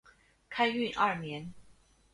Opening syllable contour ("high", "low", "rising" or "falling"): high